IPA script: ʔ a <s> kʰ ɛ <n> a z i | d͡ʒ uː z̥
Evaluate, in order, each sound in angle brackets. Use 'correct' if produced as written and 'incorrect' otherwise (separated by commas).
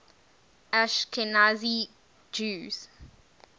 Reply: incorrect, correct